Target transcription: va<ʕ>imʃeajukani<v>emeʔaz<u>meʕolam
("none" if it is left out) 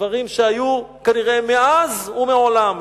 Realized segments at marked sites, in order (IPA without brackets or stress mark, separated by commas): ʁ, ʁ, u